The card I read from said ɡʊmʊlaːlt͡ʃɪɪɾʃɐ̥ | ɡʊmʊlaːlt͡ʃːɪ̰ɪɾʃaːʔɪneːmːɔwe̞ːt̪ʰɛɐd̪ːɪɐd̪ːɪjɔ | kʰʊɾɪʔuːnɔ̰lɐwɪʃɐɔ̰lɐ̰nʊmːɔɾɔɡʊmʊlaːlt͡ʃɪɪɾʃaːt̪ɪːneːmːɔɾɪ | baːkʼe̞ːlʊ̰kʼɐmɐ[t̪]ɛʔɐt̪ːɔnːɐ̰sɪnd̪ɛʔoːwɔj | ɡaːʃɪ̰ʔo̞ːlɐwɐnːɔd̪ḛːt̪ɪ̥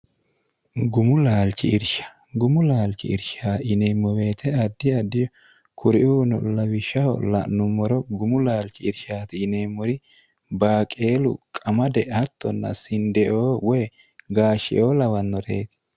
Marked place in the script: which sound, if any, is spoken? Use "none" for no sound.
d̪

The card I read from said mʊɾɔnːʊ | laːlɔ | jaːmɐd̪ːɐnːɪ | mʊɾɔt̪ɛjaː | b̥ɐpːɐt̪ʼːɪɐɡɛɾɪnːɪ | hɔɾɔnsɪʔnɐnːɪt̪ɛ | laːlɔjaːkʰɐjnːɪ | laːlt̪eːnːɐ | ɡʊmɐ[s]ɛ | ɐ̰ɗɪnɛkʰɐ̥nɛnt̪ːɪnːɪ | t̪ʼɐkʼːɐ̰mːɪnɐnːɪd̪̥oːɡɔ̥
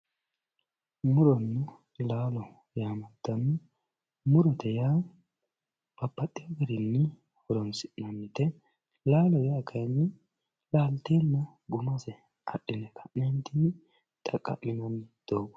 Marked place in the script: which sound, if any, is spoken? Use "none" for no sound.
s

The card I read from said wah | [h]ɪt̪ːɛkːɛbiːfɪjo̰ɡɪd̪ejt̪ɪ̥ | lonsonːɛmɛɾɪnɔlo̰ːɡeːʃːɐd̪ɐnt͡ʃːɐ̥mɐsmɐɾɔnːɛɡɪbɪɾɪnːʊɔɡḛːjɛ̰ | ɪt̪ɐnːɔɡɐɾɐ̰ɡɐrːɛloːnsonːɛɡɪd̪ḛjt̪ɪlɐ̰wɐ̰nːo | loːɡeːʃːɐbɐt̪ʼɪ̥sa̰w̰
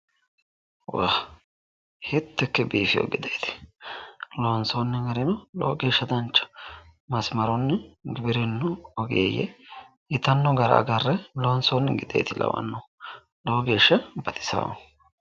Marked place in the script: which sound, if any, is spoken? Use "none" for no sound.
h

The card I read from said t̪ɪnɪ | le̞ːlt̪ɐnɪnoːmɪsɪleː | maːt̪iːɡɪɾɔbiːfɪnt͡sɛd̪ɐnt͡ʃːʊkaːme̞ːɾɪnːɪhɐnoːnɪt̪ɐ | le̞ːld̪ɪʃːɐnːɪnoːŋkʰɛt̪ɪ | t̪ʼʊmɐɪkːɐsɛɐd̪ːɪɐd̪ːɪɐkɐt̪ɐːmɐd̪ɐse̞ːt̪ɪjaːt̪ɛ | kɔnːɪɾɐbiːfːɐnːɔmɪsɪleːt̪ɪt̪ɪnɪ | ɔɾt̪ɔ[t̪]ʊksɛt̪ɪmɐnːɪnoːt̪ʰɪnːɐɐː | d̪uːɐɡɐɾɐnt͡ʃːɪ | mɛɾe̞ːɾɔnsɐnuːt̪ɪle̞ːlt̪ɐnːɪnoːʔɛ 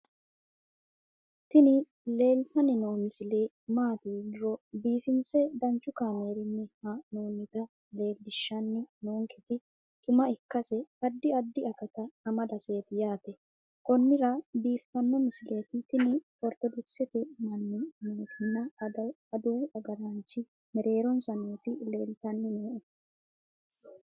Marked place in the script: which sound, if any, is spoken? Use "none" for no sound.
d̪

